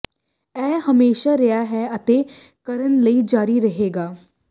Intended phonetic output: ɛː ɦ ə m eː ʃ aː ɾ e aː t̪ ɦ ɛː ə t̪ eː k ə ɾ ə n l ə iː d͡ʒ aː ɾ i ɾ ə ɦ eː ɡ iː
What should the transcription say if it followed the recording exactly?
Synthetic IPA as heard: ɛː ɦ ə m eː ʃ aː ɾ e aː ɦ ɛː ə t̪ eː k ə ɾ ə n l ə iː d͡ʒ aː ɾ i ɾ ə ɦ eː ɡ aː